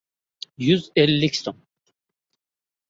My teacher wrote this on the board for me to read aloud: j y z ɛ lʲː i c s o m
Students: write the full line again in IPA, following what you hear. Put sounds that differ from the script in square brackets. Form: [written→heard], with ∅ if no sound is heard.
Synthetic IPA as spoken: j y z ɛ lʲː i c s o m